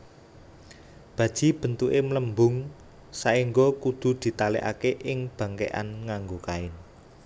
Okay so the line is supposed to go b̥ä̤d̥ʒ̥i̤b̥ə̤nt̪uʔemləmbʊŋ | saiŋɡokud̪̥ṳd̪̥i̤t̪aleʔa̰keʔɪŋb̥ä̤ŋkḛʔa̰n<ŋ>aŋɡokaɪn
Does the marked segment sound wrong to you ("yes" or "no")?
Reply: no